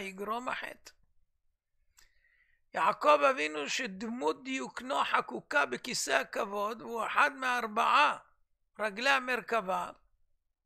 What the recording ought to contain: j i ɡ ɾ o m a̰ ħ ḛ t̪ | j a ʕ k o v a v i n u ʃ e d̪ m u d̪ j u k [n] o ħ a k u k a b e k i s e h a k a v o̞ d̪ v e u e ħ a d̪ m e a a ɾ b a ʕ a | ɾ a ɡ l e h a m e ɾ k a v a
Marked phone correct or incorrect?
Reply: correct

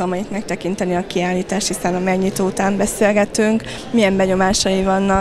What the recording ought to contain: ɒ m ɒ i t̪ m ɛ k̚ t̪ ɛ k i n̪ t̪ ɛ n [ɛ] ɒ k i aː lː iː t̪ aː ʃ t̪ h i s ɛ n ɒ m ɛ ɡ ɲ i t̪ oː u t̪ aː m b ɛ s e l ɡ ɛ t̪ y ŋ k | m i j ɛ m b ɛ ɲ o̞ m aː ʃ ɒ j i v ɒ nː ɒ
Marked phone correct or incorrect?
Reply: incorrect: i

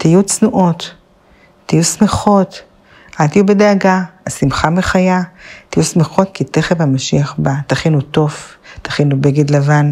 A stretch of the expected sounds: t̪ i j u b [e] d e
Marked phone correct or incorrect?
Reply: correct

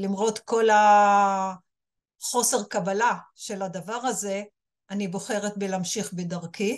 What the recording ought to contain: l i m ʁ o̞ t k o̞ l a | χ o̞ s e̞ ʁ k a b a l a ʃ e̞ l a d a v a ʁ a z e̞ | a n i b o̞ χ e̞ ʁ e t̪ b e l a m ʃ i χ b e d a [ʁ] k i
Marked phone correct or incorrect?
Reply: correct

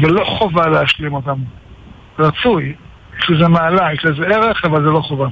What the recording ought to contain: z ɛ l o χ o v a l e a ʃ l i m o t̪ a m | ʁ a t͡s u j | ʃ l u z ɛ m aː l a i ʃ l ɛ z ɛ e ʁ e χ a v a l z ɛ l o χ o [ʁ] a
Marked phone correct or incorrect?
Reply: incorrect: v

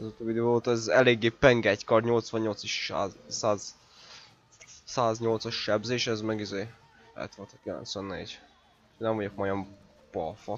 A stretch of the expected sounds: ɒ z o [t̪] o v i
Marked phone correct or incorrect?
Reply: correct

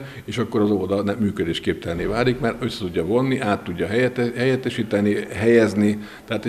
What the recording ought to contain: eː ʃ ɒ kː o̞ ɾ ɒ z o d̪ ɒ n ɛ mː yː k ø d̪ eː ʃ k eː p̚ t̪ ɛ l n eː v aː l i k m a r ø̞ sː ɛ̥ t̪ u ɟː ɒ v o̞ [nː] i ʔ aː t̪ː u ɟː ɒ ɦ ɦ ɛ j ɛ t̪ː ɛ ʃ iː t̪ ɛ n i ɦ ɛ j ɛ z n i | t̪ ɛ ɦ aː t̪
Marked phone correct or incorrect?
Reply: correct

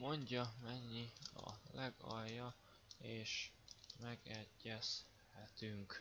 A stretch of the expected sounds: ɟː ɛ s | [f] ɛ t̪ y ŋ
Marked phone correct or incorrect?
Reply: incorrect: h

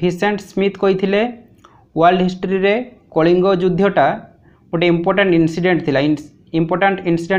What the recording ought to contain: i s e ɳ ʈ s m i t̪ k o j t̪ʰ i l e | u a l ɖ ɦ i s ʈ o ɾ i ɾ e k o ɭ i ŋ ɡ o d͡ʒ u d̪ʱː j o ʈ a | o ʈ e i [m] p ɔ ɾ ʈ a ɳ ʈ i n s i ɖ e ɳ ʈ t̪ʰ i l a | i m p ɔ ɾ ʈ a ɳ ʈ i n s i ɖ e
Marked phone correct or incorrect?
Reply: correct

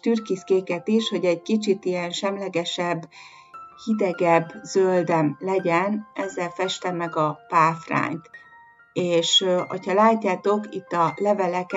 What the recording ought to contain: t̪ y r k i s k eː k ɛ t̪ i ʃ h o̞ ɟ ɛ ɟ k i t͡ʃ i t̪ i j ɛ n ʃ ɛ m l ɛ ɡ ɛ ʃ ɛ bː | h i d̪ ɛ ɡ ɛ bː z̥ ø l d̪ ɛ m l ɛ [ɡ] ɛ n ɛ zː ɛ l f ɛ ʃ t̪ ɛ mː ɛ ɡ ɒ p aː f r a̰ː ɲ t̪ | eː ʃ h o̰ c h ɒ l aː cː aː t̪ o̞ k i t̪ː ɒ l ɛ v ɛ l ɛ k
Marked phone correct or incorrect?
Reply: incorrect: ɟ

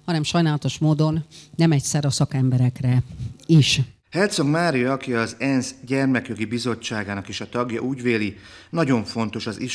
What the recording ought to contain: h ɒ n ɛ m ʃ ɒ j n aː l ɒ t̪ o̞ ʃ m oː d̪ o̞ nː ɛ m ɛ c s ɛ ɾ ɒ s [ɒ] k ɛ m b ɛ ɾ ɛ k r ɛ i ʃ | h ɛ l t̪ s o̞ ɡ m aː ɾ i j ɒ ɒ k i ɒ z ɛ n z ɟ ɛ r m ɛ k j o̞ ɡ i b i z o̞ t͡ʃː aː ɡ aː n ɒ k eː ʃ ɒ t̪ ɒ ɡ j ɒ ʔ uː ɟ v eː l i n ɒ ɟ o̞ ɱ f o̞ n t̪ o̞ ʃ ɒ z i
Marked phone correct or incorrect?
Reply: correct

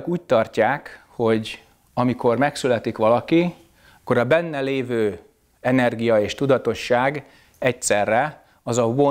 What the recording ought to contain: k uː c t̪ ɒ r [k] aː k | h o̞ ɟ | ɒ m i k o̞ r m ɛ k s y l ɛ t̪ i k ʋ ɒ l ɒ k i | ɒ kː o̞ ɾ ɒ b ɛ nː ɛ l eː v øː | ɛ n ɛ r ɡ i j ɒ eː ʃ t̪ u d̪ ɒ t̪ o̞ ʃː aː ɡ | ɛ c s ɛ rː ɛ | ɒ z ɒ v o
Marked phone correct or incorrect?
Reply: incorrect: c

